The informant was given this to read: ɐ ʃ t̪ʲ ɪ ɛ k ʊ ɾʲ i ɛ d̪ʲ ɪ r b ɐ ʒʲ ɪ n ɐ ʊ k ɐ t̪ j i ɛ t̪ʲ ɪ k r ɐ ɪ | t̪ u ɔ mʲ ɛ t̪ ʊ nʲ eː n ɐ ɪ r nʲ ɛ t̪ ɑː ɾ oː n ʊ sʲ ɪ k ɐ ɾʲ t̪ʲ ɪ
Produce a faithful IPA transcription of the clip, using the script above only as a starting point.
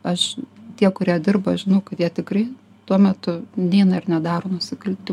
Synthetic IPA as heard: ɐ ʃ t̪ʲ i ɛ k ʊ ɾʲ i ɛ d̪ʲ ɪ r b ɐ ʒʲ ɪ n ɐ ʊ k ɐ t̪ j i ɛ t̪ʲ ɪ k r ɐ ɪ | t̪ u ɔ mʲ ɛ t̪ ʊ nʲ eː n ɐ ɪ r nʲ ɛ d̪ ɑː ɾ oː n ʊ sʲ ɪ k ɐ lʲ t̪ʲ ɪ